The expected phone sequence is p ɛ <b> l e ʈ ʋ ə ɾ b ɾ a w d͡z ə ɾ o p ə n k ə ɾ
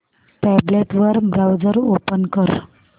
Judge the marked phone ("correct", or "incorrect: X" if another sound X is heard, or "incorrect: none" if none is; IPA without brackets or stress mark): correct